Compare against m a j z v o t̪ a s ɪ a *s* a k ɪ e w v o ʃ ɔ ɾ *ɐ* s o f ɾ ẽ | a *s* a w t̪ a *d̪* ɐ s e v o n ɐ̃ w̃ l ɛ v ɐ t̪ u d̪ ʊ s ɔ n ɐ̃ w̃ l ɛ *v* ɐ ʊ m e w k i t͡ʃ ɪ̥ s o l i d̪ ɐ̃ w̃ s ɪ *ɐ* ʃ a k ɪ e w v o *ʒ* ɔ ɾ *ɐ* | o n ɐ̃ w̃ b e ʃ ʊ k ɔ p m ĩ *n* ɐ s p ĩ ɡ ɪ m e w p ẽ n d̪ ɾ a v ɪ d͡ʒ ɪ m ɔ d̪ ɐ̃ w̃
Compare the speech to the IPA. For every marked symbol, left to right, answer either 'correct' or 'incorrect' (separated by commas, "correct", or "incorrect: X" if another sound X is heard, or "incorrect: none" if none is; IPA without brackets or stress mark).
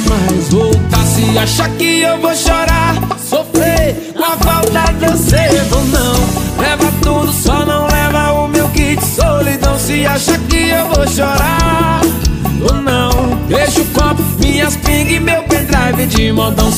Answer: incorrect: ʃ, incorrect: a, incorrect: f, correct, correct, incorrect: a, incorrect: ʃ, incorrect: a, incorrect: ɲ